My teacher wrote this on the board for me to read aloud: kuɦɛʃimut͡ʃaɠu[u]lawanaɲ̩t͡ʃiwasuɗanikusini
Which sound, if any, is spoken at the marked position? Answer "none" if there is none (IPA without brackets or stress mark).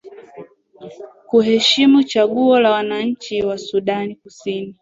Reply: ɔ